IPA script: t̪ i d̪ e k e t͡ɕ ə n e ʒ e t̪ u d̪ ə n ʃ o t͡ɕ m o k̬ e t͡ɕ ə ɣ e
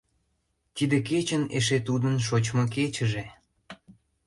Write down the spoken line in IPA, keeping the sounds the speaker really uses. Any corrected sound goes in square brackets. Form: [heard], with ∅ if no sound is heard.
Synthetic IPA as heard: t̪ i d̪ e k e t͡ɕ ə n e [ʃ] e t̪ u d̪ ə n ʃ o t͡ɕ m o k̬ e t͡ɕ ə [ʒ] e